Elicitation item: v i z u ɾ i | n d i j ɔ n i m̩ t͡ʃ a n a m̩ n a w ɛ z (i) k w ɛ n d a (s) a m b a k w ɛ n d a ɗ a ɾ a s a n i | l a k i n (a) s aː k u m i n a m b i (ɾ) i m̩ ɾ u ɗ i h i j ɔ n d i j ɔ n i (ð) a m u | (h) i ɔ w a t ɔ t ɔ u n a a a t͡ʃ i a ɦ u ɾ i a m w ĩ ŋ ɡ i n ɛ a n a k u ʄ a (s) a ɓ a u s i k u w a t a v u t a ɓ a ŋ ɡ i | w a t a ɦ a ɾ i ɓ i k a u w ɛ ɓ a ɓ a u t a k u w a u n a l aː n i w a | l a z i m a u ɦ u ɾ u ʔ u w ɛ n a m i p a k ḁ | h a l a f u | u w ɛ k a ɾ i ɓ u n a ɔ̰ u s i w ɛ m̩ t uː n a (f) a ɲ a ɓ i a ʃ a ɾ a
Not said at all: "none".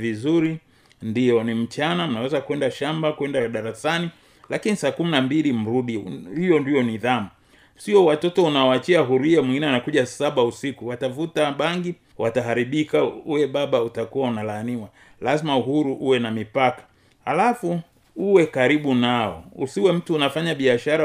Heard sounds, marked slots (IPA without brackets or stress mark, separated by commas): a, ʃ, i, l, ð, s, s, f